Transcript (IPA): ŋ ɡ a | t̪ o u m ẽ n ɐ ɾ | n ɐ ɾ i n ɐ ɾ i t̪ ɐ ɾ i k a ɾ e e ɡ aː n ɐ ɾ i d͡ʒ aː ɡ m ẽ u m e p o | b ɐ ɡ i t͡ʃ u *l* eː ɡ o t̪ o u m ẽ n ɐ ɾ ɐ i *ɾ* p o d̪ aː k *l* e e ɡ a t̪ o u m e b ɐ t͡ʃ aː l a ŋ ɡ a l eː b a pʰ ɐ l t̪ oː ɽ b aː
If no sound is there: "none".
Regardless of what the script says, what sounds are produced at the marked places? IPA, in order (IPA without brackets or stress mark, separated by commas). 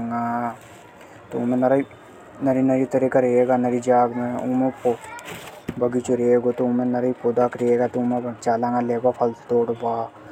ɾ, none, ɾ